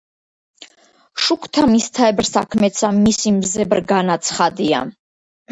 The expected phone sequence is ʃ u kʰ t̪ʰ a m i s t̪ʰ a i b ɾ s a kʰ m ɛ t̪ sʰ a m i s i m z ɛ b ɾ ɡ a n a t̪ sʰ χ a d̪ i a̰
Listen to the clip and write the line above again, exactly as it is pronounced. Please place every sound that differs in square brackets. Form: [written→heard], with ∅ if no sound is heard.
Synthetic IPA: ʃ u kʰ t̪ʰ a m i s t̪ʰ a [i→ɛ] b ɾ s a kʰ m ɛ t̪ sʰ a m i s i m z ɛ b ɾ ɡ a n a t̪ sʰ χ a d̪ i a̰